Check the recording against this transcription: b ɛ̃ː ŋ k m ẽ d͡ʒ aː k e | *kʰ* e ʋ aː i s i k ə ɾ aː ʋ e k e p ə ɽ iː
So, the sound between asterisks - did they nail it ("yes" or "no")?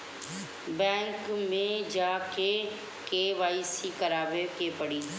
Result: no